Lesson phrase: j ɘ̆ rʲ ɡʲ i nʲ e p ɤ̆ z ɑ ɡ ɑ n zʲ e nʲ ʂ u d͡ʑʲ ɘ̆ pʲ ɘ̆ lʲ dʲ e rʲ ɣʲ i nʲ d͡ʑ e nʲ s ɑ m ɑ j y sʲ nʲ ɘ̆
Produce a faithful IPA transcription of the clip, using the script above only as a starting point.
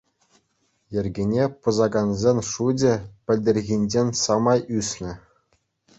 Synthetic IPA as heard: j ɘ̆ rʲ ɡʲ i nʲ e p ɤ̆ z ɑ ɡ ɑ n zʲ e nʲ ʂ u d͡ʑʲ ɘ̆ pʲ ɘ̆ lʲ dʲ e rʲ ɣʲ i nʲ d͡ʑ e nʲ s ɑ m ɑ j y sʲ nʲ ɘ̆